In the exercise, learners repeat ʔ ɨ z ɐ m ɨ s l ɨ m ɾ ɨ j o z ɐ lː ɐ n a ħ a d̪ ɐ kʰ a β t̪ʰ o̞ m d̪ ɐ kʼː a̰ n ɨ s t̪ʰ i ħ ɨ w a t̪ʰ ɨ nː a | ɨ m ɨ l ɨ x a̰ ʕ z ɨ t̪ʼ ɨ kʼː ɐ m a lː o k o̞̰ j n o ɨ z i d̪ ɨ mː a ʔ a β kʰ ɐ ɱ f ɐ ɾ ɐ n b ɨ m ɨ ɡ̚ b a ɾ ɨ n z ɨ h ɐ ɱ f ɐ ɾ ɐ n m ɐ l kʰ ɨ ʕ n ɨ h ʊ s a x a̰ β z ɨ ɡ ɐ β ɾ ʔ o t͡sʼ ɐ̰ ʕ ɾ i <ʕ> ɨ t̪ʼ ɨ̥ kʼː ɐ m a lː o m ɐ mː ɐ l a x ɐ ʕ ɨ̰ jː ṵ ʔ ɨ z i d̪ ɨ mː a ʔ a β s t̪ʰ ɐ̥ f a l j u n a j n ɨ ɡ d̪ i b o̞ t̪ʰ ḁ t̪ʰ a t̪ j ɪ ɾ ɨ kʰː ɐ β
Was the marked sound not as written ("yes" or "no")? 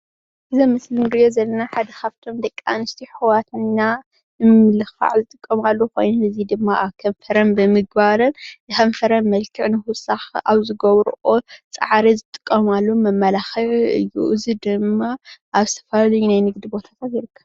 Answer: yes